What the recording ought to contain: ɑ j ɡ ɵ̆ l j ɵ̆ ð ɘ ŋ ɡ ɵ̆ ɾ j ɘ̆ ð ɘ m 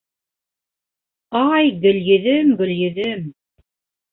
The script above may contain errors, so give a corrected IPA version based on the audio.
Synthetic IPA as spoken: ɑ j ɡ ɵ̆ l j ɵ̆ ð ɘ m ɡ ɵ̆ l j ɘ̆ ð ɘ m